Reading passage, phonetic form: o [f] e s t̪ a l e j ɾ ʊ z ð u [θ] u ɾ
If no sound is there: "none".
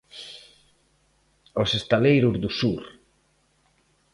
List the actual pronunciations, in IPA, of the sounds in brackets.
s, s

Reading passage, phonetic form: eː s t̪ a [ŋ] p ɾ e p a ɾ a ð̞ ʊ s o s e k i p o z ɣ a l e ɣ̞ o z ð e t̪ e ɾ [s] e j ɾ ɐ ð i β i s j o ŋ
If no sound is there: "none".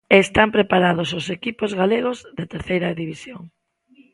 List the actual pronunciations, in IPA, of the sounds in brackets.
m, θ

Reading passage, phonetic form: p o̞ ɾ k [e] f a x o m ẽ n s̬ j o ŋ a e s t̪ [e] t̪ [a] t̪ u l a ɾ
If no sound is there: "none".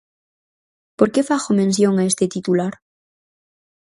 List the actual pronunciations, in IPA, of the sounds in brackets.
e, e, i

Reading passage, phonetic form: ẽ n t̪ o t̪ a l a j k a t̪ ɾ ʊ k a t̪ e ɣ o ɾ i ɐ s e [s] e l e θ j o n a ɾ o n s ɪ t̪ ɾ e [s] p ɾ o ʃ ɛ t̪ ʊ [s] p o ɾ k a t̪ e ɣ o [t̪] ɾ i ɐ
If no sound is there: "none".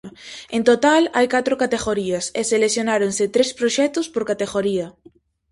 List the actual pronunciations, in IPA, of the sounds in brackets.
s, s, s, none

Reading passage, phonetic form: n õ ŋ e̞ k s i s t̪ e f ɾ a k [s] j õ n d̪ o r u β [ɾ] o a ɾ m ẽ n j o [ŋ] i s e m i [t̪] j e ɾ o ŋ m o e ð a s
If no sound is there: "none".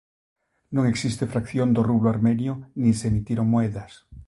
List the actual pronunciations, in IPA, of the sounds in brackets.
θ, l, n, t̪

